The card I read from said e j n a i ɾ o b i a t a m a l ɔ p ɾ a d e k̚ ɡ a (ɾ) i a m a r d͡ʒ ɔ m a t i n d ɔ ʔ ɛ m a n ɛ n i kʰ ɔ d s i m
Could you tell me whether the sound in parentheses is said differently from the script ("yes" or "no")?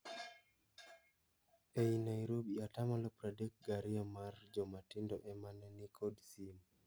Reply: no